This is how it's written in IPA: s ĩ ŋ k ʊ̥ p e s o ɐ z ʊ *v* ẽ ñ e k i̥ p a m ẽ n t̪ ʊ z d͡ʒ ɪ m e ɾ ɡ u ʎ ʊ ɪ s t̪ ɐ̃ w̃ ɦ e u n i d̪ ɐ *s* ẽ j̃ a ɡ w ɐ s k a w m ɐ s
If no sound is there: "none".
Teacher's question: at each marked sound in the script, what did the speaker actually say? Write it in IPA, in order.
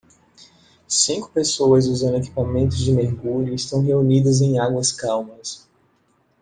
z, z

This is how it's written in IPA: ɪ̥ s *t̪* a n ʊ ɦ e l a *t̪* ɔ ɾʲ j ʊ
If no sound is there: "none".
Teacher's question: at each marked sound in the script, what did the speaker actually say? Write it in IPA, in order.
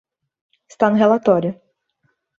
t̪, t̪

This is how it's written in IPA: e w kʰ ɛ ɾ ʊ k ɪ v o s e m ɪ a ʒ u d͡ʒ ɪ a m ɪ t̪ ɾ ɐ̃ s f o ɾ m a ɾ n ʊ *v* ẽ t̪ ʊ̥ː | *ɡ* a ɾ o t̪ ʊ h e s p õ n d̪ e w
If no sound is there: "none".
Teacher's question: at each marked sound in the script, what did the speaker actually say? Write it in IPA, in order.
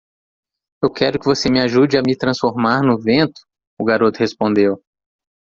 v, ɡ

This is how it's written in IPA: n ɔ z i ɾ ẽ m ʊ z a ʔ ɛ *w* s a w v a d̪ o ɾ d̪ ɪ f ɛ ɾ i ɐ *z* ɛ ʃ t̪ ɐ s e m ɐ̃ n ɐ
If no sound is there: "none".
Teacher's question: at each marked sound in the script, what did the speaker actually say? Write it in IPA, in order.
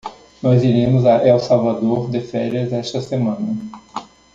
w, z

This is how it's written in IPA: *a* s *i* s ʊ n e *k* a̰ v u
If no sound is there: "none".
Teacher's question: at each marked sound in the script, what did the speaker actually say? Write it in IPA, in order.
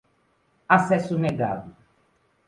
a, ɛ, ɡ

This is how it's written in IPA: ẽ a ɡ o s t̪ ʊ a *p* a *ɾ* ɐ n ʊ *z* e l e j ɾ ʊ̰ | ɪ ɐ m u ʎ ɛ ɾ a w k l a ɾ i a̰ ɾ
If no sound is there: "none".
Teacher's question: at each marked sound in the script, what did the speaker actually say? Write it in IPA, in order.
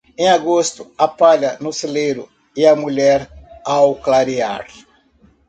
p, ʎ, s

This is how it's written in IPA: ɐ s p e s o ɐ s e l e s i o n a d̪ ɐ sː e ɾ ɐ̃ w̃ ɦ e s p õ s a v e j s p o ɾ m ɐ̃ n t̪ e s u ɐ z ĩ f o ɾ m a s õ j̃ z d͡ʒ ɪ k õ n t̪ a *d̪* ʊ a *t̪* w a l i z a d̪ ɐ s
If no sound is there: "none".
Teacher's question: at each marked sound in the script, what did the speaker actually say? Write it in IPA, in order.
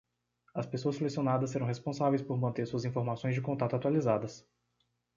t̪, t̪

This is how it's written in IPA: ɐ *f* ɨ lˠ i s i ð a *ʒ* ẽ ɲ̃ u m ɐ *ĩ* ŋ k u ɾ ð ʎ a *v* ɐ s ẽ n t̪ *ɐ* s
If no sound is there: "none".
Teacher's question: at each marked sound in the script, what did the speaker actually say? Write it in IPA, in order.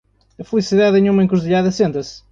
f, ð, ẽ, ð, ɐ

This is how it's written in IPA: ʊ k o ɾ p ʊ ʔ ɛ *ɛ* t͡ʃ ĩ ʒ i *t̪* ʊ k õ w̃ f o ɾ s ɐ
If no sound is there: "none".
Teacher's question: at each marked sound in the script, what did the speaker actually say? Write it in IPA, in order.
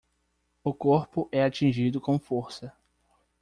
a, d̪

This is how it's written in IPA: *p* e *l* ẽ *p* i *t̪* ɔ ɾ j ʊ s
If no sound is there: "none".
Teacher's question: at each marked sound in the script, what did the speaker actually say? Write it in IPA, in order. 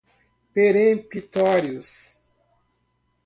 p, ɾ, p, t̪

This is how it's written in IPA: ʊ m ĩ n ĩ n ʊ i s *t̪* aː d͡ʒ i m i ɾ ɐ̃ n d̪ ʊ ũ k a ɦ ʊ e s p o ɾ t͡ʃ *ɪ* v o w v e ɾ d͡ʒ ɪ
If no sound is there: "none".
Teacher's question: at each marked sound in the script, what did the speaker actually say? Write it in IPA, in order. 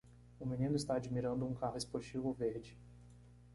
t̪, i

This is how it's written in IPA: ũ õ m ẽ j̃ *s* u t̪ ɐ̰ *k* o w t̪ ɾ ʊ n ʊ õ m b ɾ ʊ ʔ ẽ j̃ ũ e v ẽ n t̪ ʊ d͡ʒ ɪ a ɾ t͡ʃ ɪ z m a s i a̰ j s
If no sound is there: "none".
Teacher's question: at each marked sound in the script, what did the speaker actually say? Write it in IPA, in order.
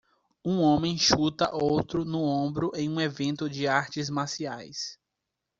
ʃ, ʔ

